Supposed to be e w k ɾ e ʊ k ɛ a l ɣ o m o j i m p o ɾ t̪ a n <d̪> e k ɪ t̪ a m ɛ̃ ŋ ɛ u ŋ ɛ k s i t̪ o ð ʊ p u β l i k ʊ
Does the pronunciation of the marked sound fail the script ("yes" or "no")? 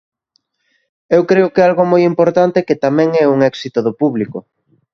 yes